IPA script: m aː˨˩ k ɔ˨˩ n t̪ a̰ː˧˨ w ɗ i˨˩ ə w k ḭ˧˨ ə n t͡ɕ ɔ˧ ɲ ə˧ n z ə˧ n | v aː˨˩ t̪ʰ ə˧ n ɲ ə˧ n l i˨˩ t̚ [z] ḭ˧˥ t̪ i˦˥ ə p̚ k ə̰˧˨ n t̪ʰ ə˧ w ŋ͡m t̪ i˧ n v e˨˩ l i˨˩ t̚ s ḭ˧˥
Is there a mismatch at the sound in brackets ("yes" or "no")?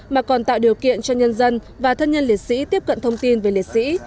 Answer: yes